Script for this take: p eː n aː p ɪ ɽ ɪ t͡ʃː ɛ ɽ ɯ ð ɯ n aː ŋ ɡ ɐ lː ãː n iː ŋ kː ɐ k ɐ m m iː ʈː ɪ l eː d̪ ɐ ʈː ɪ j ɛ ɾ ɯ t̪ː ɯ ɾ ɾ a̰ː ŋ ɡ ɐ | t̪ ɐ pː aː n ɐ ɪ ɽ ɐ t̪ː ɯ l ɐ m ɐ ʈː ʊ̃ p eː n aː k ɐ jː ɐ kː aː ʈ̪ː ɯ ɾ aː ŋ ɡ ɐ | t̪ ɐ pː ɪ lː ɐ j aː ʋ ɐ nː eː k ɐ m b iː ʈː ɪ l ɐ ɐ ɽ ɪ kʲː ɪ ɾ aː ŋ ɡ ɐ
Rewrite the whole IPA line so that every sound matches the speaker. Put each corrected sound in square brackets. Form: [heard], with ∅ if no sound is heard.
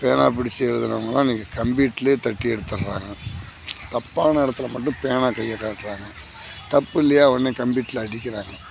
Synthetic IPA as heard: p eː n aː p ɪ ɽ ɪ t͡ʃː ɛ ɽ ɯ ð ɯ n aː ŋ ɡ ɐ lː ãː n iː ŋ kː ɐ k ɐ m [b] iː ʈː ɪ l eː [t̪] ɐ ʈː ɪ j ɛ [ɽ] ɯ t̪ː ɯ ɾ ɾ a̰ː ŋ ɡ ɐ | t̪ ɐ pː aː n ɐ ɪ ɽ ɐ t̪ː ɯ l ɐ m ɐ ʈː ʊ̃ p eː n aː k ɐ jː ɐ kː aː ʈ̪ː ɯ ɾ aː ŋ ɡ ɐ | t̪ ɐ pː ɪ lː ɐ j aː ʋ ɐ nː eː k ɐ m b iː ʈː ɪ l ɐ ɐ ɽ ɪ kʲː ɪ ɾ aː ŋ ɡ ɐ